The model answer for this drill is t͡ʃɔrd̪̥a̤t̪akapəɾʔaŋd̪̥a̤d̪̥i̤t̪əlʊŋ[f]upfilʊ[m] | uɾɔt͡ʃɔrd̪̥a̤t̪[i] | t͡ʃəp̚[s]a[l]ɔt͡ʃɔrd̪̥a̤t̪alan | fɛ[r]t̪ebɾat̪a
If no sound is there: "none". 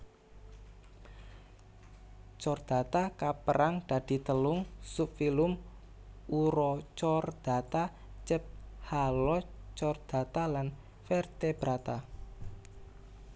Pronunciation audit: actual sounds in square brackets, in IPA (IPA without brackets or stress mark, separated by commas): s, m, a, h, l, r